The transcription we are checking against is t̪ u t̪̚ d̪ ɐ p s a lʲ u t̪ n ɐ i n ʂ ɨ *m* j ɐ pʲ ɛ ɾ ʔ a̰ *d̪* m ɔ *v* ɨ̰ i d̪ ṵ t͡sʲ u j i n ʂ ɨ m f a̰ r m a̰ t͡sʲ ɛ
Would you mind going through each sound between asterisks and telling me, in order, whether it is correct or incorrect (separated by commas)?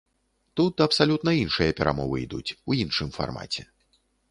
incorrect, incorrect, correct